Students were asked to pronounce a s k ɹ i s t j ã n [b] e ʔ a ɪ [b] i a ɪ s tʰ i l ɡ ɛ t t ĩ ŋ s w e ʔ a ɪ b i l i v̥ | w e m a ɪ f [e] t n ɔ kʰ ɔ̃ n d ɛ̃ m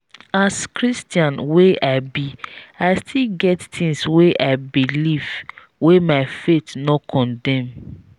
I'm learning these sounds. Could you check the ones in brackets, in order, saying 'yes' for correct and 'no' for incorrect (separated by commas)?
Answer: no, yes, yes